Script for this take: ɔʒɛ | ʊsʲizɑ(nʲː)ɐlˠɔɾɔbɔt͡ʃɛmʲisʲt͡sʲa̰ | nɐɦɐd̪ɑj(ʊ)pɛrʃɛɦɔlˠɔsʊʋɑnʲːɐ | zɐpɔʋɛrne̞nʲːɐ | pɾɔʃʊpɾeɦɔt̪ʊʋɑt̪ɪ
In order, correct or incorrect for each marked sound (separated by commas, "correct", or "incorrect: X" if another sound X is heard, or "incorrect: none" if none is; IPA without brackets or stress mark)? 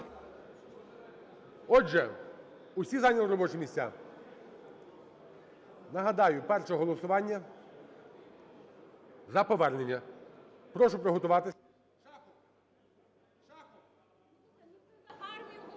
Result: incorrect: nʲ, correct